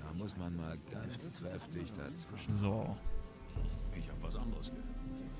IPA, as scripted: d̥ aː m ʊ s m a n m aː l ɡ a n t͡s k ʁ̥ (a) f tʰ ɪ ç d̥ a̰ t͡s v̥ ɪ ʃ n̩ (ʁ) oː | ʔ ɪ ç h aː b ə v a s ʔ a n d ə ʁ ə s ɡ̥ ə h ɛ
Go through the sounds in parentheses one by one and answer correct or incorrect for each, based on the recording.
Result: incorrect: ɛ, incorrect: z

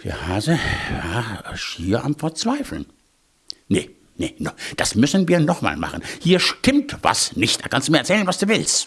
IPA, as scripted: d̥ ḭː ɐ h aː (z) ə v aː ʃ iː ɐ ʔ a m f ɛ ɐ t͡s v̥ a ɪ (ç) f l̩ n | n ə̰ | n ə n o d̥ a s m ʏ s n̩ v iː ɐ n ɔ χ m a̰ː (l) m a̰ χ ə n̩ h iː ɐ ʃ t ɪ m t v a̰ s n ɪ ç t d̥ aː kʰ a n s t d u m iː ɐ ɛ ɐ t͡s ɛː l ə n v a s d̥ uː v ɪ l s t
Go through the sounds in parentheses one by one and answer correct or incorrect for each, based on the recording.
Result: correct, incorrect: none, correct

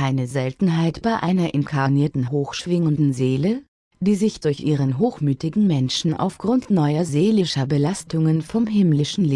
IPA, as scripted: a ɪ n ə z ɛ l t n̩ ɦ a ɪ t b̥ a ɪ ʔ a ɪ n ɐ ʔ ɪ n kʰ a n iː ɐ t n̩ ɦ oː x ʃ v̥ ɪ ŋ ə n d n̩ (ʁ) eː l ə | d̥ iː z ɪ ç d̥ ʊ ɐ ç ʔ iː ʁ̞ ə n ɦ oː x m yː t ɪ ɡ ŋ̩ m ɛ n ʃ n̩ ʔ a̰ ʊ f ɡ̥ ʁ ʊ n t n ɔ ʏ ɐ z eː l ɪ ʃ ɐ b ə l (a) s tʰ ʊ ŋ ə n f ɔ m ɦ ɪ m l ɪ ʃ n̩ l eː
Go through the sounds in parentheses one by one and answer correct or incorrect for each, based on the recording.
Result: incorrect: z, correct

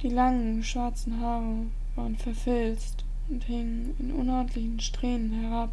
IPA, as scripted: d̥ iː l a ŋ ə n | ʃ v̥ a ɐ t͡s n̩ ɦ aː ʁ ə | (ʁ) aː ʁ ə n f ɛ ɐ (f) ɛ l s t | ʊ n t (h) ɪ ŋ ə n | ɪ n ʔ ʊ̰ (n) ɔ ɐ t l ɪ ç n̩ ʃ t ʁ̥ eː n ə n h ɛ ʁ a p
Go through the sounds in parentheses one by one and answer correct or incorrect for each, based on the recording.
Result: incorrect: v, correct, correct, correct

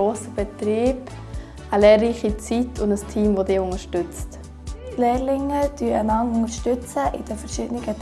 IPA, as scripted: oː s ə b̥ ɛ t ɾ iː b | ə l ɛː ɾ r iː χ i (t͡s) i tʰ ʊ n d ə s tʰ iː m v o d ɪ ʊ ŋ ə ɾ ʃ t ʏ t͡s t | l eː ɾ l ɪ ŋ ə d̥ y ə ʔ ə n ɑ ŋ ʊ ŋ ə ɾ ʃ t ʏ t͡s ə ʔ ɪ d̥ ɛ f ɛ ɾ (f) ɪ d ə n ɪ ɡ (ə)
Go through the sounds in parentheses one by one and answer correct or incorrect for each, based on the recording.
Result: correct, incorrect: ʃ, correct

